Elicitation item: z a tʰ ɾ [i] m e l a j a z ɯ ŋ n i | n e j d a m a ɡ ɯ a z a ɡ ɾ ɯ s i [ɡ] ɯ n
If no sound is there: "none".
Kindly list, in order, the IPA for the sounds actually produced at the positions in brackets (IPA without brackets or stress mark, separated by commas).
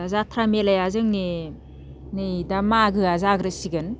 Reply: a, ɡ